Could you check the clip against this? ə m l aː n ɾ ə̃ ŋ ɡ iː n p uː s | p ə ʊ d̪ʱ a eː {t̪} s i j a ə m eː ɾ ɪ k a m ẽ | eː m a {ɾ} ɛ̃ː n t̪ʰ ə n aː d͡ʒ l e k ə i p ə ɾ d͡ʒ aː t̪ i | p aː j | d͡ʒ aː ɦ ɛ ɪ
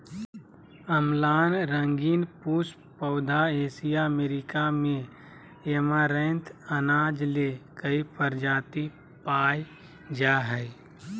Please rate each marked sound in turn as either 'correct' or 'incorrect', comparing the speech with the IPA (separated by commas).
incorrect, correct